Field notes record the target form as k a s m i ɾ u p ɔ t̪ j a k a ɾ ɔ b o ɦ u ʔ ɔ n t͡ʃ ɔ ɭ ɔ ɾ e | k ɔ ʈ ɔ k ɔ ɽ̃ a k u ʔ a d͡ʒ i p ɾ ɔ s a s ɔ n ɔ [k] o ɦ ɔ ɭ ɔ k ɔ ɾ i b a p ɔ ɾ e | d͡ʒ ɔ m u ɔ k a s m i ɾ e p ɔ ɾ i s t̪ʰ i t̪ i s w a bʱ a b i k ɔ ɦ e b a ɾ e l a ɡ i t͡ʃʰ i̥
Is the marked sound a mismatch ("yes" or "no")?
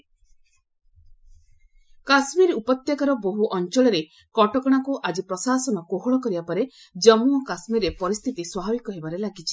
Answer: no